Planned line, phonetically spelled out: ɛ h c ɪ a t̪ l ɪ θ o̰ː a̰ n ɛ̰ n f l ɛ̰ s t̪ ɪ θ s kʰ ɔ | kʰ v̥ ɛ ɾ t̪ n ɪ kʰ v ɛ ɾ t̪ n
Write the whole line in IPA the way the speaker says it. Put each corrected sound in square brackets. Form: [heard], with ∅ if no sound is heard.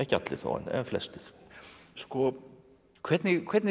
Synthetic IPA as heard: ɛ h c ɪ a t̪ l ɪ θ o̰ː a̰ n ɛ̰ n f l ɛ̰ s t̪ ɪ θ s [k] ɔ | kʰ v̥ ɛ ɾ t̪ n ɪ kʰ v ɛ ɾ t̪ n